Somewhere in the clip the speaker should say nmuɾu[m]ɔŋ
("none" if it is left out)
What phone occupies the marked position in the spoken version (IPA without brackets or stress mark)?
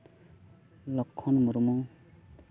m